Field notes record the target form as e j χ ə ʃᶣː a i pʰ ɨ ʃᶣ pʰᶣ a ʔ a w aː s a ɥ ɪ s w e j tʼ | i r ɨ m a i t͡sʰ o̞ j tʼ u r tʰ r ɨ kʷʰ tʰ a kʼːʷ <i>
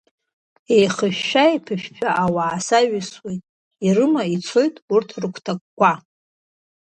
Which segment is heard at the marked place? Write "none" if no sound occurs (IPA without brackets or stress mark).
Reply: a